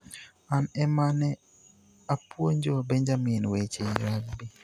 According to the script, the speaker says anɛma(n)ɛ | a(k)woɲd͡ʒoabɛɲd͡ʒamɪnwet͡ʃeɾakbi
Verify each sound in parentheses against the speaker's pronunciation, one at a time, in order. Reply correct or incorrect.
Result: correct, incorrect

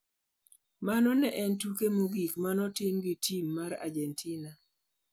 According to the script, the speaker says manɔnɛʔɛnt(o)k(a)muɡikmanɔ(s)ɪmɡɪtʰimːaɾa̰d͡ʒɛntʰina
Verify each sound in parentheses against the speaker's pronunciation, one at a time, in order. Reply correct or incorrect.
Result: incorrect, incorrect, incorrect

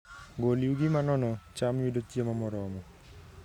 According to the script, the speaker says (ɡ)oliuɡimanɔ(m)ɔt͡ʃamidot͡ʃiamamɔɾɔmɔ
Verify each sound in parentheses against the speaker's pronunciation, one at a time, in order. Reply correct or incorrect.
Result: correct, incorrect

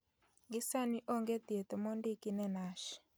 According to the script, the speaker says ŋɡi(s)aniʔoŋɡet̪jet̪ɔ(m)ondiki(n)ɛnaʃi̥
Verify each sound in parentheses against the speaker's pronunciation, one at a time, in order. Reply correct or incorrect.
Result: correct, correct, correct

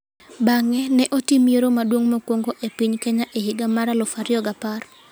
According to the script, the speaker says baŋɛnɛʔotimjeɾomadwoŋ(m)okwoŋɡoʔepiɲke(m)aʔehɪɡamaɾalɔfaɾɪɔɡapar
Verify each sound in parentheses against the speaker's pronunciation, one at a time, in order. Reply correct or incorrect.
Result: correct, incorrect

